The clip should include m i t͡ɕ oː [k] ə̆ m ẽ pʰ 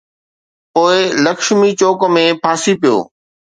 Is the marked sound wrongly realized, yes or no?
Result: no